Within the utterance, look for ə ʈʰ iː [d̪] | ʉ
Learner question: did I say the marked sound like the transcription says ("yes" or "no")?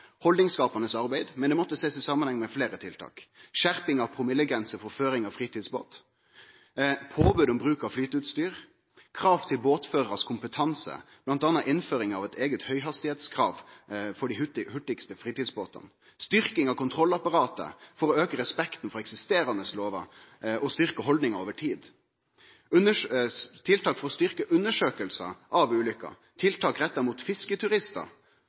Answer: yes